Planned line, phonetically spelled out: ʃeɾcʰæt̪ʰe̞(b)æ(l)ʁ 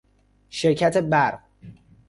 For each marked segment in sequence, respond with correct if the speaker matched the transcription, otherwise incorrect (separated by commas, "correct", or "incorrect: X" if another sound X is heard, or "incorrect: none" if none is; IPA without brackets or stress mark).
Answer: correct, incorrect: ɾ